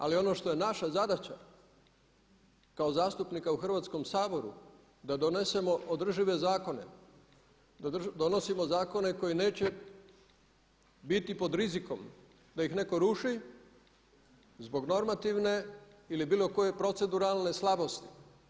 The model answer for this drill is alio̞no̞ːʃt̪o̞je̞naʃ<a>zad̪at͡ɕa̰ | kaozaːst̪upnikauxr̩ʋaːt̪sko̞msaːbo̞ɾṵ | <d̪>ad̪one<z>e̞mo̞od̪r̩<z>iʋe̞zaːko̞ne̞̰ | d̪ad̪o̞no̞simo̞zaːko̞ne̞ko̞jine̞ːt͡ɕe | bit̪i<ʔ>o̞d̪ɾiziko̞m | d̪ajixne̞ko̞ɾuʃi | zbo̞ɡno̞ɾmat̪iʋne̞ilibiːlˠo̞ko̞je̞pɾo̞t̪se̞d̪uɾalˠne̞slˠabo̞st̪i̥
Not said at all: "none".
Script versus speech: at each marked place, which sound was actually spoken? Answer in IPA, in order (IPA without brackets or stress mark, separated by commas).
a, d̪, s, ʒ, p